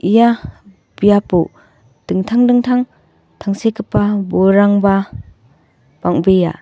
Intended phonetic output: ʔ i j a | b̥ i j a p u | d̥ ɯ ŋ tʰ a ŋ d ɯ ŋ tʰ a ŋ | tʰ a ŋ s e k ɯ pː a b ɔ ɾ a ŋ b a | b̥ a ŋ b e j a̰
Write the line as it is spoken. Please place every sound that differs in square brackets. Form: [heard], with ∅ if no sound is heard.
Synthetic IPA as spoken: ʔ i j a | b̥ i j a p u | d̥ ɯ ŋ tʰ a ŋ d ɯ ŋ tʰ a ŋ | tʰ a ŋ s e k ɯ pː a b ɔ ɾ a ŋ b a | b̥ a ŋ b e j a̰